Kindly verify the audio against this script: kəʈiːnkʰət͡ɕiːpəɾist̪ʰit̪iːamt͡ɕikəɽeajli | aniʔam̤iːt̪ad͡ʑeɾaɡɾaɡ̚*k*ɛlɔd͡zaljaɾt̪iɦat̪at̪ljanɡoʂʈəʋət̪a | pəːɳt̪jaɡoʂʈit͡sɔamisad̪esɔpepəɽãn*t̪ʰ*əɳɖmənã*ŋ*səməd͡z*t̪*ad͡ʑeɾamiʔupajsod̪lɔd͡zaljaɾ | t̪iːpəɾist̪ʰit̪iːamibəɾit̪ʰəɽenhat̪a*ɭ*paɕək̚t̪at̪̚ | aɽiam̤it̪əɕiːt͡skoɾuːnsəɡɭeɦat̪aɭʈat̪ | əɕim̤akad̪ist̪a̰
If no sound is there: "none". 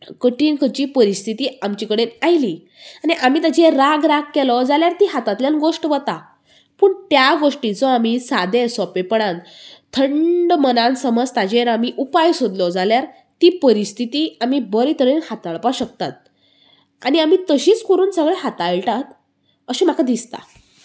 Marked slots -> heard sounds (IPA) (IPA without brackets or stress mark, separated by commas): k, t̪ʰ, n, t̪, ɭ